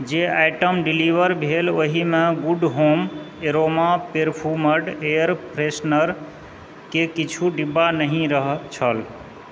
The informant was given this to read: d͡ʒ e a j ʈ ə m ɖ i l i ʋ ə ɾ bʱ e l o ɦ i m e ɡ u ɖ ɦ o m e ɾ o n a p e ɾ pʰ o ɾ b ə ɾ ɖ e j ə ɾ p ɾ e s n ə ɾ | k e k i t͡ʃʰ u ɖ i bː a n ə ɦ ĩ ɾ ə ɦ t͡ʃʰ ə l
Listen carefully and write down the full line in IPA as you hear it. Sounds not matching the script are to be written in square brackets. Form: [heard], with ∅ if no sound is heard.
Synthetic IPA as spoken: d͡ʒ e a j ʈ ə m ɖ i l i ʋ ə ɾ bʱ e l o ɦ i m e ɡ u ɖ ɦ o m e ɾ o [m] a p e ɾ pʰ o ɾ [m] ə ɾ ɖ e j ə ɾ p ɾ e s n ə ɾ | k e k i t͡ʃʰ u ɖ i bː a n ə ɦ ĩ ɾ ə ɦ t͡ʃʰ ə l